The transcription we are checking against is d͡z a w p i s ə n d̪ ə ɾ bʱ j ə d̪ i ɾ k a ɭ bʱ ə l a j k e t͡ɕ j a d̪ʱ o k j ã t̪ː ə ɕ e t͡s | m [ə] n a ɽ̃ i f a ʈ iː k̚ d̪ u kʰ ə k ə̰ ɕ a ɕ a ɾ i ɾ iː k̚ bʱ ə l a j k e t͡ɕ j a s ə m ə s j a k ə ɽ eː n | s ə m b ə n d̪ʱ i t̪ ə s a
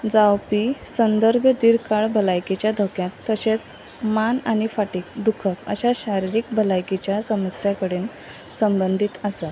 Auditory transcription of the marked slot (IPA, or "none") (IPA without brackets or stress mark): a